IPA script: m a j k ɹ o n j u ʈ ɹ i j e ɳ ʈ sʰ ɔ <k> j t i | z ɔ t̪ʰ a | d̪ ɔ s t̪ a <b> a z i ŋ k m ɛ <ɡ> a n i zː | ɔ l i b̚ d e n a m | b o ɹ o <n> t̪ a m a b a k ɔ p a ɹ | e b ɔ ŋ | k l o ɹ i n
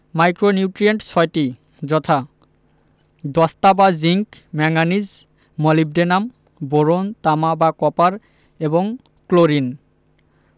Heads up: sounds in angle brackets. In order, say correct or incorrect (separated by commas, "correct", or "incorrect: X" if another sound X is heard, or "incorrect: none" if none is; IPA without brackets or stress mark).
incorrect: none, correct, incorrect: ŋ, correct